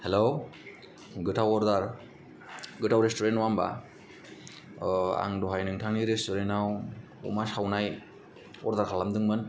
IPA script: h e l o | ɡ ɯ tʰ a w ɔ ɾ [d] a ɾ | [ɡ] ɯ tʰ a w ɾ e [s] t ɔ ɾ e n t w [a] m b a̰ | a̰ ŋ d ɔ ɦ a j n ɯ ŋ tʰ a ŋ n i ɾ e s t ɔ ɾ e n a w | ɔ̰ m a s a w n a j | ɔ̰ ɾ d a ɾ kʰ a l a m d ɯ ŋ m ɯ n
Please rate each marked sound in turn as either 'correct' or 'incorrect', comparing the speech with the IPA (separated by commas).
correct, correct, correct, correct